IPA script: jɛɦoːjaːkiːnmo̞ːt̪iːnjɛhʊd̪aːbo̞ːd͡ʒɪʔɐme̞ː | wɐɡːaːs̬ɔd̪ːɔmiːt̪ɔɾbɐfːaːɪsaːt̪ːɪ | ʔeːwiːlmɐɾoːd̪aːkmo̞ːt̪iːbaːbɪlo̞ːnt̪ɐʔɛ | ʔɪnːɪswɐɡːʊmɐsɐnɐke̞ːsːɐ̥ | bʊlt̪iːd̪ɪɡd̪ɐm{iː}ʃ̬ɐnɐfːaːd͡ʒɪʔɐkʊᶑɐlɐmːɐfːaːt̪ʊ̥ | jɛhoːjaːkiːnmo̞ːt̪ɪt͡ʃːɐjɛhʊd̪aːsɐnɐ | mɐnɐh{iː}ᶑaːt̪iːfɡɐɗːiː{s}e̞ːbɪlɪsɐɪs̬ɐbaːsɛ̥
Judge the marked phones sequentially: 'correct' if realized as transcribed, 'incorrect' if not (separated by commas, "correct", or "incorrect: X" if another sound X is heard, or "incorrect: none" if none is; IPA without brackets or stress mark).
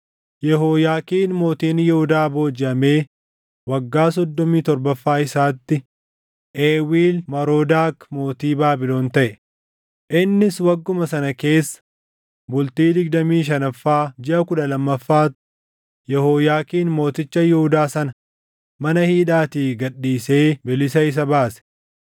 correct, correct, correct